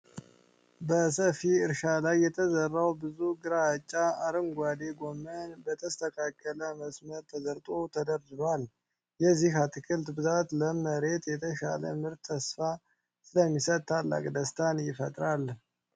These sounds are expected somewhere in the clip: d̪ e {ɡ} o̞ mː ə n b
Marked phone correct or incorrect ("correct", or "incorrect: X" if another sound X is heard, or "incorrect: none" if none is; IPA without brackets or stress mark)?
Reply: correct